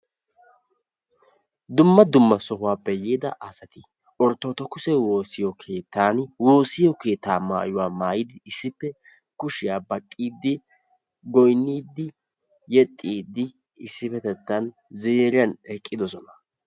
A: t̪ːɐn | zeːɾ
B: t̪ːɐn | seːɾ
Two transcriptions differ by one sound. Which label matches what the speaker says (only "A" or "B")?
A